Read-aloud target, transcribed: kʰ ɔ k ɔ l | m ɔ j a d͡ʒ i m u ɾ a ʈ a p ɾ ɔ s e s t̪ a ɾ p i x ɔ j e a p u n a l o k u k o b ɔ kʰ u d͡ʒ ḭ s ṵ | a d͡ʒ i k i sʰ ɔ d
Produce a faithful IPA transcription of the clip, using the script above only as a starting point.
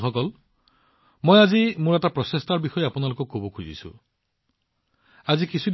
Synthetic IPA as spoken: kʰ ɔ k ɔ l | m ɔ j a d͡ʒ i m u ɾ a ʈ a p ɾ ɔ s e s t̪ a ɾ b i x ɔ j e a p u n a l o k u k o b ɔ kʰ u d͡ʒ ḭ s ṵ | a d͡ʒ i k i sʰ u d